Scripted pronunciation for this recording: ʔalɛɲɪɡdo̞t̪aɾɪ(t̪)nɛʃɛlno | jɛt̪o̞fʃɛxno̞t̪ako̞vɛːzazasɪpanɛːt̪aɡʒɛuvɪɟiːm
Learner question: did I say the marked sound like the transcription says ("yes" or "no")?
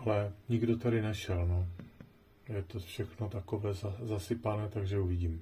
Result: no